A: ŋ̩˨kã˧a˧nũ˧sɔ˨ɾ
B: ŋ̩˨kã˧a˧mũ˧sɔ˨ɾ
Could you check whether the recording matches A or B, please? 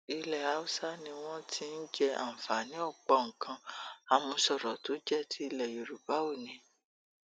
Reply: B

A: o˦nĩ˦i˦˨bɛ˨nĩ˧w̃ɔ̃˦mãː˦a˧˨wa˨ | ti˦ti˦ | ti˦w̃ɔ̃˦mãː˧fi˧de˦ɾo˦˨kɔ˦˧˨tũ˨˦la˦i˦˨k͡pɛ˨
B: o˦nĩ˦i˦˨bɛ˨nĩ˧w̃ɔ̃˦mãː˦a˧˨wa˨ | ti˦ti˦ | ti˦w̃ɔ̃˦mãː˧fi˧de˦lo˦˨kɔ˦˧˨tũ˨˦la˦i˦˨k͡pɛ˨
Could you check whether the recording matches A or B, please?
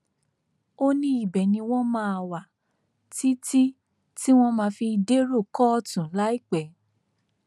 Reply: A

